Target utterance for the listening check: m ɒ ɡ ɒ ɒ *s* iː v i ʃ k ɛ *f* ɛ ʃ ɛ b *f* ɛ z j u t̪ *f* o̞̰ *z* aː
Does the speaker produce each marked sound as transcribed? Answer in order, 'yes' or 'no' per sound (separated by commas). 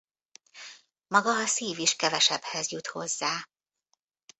yes, no, no, no, no